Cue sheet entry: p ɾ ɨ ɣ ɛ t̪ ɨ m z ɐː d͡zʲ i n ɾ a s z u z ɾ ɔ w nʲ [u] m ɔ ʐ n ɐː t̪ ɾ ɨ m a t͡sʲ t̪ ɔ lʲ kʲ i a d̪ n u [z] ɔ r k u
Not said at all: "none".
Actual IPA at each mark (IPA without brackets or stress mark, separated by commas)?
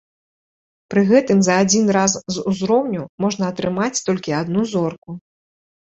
u, z